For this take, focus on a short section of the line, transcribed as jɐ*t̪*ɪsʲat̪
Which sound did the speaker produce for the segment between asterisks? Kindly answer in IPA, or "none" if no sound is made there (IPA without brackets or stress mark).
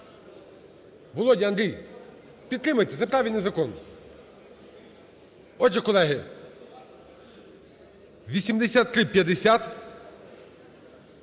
d̪